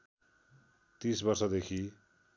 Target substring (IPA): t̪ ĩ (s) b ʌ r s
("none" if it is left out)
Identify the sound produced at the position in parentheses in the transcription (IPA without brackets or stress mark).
s